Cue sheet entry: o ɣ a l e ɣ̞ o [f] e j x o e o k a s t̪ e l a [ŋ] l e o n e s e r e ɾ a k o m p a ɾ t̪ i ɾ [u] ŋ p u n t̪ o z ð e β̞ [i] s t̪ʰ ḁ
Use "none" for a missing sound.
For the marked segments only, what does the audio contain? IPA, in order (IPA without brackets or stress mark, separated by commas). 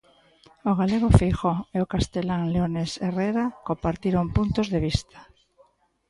f, ŋ, o, i